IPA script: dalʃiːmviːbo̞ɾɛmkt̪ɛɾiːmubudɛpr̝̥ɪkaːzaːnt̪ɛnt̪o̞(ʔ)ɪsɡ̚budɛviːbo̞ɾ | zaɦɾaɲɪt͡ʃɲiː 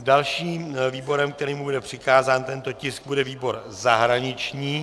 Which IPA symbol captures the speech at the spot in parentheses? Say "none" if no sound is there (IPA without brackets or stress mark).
c